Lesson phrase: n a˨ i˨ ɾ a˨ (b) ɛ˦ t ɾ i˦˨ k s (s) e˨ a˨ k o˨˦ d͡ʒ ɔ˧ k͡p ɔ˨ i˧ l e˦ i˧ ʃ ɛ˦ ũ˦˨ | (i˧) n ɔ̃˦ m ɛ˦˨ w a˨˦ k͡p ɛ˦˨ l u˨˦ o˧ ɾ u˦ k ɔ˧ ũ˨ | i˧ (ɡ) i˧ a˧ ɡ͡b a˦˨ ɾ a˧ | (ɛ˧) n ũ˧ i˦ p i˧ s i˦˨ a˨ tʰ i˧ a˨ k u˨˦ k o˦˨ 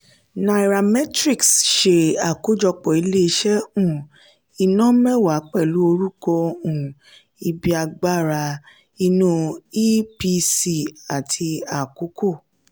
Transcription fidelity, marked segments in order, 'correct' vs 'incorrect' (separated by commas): incorrect, incorrect, correct, incorrect, incorrect